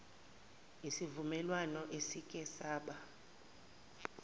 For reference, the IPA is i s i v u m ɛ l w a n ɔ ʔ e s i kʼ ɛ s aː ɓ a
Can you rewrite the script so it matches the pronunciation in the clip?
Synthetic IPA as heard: i s i v u m ɛ l w a n ɔ ʔ e s i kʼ ɛ s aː ɓ a